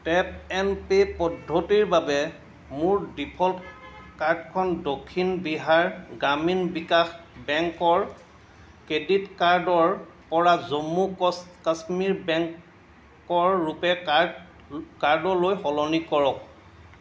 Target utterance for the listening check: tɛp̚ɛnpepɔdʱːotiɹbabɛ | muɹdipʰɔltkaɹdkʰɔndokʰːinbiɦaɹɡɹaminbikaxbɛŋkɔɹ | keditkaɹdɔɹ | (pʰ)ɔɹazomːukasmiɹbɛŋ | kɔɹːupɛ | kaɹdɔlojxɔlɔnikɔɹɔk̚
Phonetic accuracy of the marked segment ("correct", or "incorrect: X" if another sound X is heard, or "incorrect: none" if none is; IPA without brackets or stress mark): incorrect: p